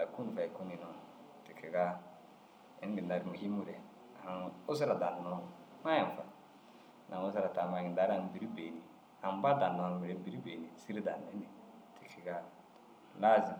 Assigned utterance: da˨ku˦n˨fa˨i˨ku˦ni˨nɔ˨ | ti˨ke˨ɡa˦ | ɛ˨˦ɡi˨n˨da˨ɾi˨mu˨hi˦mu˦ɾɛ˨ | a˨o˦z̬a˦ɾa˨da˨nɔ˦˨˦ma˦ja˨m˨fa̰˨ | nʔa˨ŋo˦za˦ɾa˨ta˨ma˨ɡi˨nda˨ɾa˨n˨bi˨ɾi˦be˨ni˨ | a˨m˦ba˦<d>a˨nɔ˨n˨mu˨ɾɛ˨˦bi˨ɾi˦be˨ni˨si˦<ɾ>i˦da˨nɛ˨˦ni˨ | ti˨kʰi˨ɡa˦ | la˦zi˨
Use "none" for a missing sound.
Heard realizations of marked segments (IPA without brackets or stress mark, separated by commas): d, ɾ